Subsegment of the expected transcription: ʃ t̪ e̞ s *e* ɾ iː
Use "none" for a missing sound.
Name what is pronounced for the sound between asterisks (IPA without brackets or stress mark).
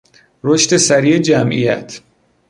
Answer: æ